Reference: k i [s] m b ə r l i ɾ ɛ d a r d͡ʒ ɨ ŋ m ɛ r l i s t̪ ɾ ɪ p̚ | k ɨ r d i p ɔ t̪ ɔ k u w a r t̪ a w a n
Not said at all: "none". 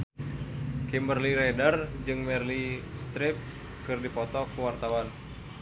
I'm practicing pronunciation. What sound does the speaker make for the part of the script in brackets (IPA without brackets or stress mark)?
none